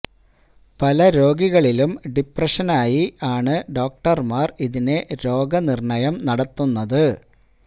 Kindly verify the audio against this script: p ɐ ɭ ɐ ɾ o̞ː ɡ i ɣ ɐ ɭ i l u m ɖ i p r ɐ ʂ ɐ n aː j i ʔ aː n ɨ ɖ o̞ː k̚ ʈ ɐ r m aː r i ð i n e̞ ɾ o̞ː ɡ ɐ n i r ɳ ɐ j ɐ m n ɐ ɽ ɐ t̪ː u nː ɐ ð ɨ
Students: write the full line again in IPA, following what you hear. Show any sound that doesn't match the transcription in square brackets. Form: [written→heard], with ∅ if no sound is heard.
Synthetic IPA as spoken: p ɐ [ɭ→l] ɐ ɾ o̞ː ɡ i ɣ ɐ ɭ i l u m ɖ i p r ɐ ʂ ɐ n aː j i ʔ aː [n→ɳ] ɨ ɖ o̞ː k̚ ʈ ɐ r m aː r i ð i n e̞ ɾ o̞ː ɡ ɐ n i r ɳ ɐ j ɐ m n ɐ ɽ ɐ t̪ː u nː ɐ ð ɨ